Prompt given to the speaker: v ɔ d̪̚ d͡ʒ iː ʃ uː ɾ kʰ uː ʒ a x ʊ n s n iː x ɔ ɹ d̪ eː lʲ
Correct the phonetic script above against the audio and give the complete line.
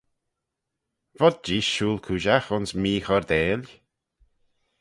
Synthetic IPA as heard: v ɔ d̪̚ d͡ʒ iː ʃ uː l kʰ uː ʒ a x ʊ n s m iː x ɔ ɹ d̪ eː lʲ

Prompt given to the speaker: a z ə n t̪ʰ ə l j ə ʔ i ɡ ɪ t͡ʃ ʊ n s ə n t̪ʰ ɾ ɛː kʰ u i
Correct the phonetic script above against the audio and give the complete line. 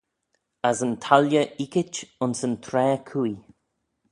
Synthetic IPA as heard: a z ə n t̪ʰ a l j ə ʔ i k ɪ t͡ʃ ʊ n s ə n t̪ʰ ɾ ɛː kʰ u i

